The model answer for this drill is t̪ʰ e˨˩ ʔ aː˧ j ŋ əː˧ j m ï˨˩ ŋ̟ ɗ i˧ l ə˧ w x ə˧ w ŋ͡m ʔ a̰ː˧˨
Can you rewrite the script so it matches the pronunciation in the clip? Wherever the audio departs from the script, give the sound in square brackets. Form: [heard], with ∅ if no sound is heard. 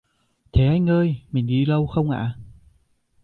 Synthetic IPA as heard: t̪ʰ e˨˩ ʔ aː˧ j ŋ əː˧ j m ï˨˩ ŋ̟ ɗ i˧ l ə˧ w x ə˧ w ŋ͡m ʔ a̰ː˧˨